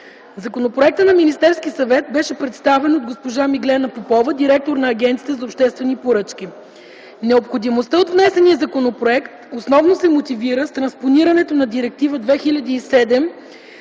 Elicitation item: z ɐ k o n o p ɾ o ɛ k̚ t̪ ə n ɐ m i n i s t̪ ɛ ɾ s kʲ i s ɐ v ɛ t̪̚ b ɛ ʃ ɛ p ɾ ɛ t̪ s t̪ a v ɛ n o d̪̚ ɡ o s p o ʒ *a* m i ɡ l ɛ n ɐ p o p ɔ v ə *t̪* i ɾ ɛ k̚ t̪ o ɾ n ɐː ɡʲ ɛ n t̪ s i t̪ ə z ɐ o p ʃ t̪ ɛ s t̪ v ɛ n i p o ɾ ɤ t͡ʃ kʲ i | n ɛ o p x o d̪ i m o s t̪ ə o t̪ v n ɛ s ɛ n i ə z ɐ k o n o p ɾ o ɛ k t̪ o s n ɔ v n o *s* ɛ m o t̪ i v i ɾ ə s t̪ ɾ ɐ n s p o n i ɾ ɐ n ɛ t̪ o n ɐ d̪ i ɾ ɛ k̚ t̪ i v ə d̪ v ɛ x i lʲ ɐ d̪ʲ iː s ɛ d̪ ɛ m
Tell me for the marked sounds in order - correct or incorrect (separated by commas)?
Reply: correct, incorrect, correct